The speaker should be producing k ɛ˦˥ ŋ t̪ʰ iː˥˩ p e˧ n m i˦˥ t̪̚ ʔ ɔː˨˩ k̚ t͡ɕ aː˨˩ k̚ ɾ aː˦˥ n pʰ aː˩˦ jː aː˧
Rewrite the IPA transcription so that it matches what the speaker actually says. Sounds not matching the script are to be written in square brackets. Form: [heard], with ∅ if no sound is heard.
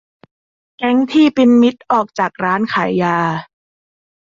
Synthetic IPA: k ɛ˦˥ ŋ t̪ʰ iː˥˩ p [i˧] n m i˦˥ t̪̚ ʔ ɔː˨˩ k̚ t͡ɕ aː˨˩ k̚ ɾ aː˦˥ n [kʰ] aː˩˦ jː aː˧